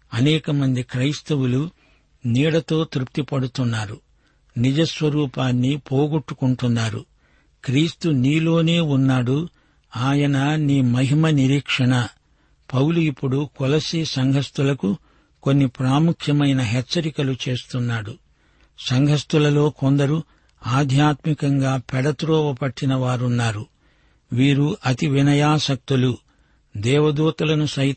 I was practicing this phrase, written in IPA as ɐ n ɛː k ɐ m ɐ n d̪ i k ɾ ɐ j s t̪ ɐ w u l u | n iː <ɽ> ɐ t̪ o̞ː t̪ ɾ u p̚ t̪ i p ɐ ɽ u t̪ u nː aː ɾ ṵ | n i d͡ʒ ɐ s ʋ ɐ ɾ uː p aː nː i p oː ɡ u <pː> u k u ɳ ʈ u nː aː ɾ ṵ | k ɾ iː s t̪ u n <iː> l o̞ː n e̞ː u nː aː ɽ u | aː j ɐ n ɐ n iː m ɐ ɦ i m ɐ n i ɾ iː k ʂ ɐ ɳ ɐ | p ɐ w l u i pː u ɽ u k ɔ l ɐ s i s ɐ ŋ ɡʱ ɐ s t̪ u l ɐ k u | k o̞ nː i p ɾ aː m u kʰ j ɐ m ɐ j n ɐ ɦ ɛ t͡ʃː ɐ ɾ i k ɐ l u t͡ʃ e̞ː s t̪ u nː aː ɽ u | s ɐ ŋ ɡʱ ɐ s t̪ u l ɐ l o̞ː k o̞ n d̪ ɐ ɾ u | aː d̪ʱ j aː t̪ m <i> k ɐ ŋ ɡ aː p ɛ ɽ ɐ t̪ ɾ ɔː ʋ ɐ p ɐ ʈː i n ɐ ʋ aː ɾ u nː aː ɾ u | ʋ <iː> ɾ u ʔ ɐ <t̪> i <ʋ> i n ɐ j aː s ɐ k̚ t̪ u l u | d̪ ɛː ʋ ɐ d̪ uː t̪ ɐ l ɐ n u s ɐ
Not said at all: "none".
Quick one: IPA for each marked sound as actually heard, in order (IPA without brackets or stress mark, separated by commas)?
ɽ, ʈː, iː, i, iː, t̪, ʋ